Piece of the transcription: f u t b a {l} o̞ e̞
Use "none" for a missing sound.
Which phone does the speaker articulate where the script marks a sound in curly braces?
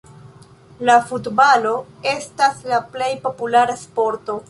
l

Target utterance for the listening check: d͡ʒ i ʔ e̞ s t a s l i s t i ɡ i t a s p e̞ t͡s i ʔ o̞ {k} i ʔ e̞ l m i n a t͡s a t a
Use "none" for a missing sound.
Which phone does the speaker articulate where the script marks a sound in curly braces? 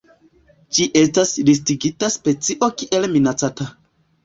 k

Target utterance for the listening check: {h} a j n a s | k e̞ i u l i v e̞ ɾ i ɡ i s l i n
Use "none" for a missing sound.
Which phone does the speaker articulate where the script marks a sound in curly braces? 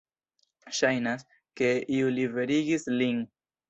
ʃ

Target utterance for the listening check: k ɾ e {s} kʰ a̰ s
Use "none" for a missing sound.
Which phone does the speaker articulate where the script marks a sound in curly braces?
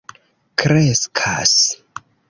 s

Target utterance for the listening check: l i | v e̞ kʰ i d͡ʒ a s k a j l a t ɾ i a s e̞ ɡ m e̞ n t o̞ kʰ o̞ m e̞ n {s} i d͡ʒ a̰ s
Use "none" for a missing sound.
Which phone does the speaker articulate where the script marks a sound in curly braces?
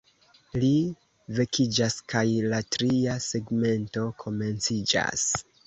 t͡s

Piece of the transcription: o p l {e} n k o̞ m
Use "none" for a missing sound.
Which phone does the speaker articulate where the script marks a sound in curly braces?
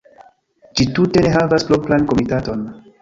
a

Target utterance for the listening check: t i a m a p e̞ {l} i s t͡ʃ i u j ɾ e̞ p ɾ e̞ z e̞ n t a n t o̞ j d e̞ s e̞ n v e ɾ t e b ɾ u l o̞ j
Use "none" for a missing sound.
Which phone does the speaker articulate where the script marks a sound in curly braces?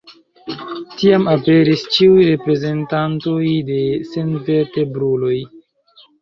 ɾ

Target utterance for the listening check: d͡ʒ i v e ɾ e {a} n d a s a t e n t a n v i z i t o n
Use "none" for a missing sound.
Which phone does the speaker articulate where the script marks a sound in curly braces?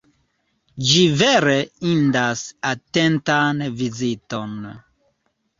i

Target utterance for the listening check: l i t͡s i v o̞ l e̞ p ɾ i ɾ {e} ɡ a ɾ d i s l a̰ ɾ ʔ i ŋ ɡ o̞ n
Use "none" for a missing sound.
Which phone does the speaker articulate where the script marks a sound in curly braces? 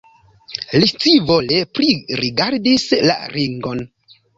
i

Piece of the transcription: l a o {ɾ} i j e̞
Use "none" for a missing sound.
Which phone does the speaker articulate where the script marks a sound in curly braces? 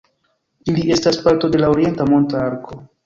ɾ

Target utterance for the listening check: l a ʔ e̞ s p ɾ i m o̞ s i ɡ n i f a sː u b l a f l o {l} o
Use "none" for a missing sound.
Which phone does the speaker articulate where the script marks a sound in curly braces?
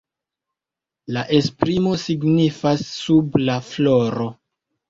ɾ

